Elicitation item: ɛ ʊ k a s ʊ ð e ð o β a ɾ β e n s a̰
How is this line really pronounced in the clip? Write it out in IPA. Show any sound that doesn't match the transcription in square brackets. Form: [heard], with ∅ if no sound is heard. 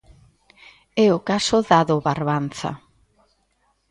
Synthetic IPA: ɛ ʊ k a s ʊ ð [a] ð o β a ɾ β [a] n [θ] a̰